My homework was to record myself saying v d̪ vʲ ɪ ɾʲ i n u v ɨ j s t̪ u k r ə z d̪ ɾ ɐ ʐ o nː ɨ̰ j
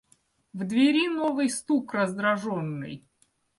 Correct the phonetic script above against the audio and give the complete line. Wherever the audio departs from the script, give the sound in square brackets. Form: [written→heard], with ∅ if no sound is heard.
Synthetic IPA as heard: v d̪ vʲ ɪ ɾʲ i n [u→o] v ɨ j s t̪ u k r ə z d̪ ɾ ɐ ʐ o nː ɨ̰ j